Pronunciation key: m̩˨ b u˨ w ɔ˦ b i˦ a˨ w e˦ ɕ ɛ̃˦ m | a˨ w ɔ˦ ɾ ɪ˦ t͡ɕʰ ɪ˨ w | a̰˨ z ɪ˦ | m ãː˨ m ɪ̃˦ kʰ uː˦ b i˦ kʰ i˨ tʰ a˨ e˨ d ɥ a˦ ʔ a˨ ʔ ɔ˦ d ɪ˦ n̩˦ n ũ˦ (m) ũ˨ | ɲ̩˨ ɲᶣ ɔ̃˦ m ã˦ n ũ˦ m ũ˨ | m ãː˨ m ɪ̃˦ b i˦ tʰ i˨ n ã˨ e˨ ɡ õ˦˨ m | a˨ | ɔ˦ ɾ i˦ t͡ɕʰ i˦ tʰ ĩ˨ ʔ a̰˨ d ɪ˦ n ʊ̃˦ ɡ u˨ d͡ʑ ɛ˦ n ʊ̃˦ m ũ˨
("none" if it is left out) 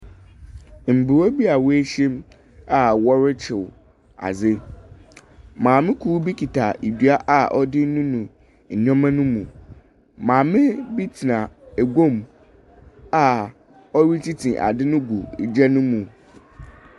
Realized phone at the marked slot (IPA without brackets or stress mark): n